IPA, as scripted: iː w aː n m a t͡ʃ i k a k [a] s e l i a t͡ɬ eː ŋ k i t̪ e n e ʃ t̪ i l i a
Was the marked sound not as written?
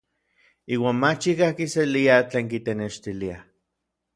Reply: yes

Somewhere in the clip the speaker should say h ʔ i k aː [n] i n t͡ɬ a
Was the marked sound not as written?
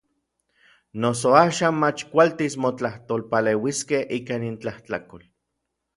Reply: no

